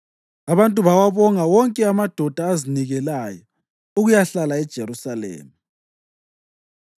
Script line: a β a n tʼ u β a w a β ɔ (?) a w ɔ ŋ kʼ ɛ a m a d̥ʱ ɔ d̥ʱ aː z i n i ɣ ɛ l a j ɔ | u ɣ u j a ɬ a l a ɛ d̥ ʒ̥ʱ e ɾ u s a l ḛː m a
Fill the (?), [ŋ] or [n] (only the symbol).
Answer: ŋ